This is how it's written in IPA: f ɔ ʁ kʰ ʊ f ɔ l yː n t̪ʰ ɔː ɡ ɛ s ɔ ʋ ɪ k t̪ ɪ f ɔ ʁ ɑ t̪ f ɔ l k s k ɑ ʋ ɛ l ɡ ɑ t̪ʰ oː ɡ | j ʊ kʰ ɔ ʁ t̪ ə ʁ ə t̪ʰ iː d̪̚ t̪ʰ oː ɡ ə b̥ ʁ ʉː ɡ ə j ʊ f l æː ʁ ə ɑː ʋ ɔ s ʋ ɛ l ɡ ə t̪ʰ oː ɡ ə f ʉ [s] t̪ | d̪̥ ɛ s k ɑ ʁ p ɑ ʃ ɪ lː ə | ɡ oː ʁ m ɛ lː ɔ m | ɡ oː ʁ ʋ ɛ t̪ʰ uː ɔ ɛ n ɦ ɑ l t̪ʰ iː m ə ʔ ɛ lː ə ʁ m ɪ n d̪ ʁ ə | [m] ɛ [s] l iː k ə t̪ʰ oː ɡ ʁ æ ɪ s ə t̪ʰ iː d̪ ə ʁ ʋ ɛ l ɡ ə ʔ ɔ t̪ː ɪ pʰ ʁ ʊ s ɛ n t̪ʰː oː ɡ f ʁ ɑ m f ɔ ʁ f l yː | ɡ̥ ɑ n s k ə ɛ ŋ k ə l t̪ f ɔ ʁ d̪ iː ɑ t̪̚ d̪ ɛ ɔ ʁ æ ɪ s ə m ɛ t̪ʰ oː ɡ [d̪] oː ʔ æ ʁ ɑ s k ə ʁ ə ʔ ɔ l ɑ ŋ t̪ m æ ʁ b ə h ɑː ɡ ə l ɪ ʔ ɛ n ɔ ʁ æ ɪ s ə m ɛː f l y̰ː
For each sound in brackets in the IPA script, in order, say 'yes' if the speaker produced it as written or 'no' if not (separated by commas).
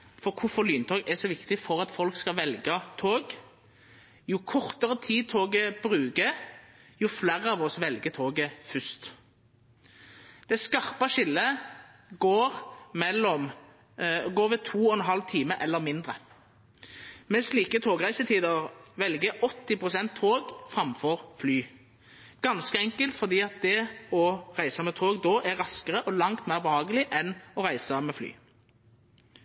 yes, yes, yes, yes